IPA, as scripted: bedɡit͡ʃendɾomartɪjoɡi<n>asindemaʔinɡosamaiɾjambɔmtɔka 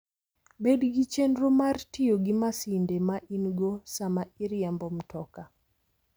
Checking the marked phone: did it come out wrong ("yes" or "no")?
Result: yes